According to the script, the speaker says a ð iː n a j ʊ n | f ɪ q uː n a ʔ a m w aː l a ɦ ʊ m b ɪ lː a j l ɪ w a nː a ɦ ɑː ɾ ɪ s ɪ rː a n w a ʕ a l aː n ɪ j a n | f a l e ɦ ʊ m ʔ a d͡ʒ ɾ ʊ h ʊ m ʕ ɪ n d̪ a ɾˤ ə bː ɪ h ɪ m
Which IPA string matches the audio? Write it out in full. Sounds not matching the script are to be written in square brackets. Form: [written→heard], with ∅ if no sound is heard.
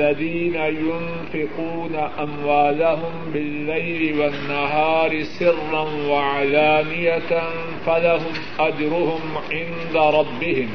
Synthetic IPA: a ð iː n a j ʊ n | f ɪ q uː n a ʔ a m w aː l a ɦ ʊ m b ɪ lː a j l ɪ w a nː a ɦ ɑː ɾ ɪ s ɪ rː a n w a ʕ a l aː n ɪ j a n | f a l [e→a] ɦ ʊ m ʔ a d͡ʒ ɾ ʊ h ʊ m ʕ ɪ n d̪ a ɾˤ [ə→ɑ] bː ɪ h ɪ m